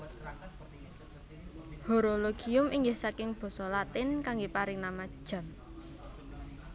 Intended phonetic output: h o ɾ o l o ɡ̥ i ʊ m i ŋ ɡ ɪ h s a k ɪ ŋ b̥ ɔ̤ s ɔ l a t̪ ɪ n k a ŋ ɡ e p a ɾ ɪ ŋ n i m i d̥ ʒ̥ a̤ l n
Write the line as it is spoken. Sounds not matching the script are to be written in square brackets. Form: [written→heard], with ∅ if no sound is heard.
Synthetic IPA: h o ɾ o l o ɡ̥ i ʊ m i ŋ ɡ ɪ h s a k ɪ ŋ b̥ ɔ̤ s ɔ l a t̪ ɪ n k a ŋ ɡ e p a ɾ ɪ ŋ n [i→a] m [i→a] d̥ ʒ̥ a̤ [l→∅] n